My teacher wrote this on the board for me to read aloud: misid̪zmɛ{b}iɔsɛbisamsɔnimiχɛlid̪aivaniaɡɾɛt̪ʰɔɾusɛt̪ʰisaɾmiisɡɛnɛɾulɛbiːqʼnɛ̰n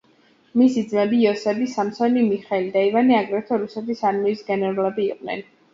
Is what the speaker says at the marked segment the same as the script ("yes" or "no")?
yes